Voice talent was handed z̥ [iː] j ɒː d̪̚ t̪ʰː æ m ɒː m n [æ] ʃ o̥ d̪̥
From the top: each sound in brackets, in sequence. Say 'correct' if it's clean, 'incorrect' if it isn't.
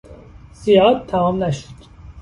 incorrect: i, correct

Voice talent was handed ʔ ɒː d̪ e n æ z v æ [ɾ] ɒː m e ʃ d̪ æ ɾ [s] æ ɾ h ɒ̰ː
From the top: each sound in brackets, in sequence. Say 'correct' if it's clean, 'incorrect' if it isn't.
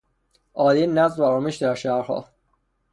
correct, incorrect: ʃ

